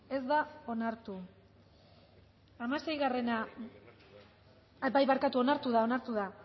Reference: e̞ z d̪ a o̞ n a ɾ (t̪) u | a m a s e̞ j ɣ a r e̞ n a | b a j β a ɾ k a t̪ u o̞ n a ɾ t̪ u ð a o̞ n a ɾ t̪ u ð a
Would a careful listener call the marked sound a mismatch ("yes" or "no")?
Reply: no